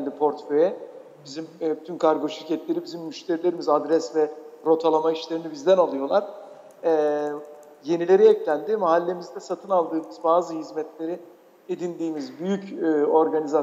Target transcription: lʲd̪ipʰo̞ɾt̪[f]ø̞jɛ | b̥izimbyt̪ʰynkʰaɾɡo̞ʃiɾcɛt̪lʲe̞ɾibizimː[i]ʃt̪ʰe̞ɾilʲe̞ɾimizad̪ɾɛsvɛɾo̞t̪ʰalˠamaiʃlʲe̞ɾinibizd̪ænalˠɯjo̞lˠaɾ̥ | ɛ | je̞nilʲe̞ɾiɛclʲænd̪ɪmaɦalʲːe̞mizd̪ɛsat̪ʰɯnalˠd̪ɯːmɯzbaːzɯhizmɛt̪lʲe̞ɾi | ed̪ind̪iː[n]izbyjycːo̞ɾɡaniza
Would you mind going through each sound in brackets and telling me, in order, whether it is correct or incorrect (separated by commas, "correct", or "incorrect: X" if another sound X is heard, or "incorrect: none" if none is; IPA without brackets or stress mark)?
correct, incorrect: y, incorrect: m